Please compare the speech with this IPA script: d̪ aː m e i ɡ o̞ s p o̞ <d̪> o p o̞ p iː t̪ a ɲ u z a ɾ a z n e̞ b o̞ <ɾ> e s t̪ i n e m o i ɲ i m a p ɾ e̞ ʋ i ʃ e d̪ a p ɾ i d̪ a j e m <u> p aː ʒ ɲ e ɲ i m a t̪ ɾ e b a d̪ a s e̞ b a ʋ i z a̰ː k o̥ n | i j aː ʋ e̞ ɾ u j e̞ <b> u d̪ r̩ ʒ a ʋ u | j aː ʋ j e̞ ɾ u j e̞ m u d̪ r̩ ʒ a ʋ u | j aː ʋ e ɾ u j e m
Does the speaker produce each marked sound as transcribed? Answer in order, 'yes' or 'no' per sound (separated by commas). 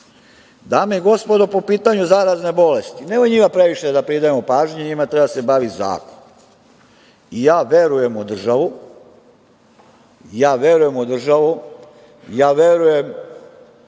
yes, no, no, no